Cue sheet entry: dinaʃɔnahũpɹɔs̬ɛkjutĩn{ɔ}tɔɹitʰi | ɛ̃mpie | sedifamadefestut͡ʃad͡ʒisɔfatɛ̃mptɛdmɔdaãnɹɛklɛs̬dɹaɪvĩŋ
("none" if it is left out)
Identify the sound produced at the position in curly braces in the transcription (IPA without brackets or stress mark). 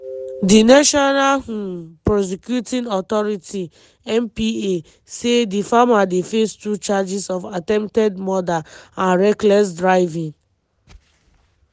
ɔ